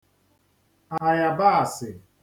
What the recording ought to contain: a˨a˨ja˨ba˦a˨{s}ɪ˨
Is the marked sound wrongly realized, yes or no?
no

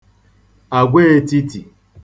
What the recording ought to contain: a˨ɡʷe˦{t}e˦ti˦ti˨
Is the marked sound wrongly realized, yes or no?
yes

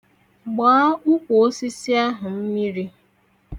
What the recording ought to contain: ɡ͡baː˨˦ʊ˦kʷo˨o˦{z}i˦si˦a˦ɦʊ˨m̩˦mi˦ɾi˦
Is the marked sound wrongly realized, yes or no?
yes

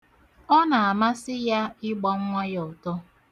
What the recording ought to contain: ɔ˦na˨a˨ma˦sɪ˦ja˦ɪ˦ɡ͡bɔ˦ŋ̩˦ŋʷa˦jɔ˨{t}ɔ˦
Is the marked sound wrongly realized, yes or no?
no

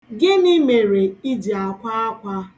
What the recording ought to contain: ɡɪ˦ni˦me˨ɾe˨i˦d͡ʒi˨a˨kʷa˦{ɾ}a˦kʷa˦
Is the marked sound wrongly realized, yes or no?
yes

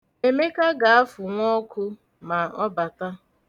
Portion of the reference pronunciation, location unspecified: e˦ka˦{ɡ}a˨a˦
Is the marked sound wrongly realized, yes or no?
no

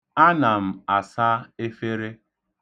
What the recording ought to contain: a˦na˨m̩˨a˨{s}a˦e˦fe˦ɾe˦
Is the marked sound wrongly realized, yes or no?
no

